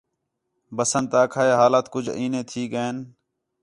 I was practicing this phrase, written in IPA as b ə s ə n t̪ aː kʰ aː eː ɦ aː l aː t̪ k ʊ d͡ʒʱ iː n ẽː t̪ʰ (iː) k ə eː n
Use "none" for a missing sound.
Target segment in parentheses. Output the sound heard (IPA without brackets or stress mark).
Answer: iː